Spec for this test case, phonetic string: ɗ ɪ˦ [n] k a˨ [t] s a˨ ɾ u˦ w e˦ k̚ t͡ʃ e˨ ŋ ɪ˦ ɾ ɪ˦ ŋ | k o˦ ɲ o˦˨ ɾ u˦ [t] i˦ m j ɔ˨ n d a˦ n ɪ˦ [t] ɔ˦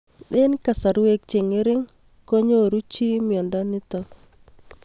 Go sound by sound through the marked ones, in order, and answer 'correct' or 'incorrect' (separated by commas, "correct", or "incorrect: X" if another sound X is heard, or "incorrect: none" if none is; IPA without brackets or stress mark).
correct, incorrect: none, incorrect: t͡ʃ, correct